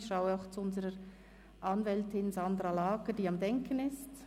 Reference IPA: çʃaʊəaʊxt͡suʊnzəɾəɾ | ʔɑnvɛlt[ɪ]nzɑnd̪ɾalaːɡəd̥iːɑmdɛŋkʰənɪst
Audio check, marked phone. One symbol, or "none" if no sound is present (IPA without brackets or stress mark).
ɪ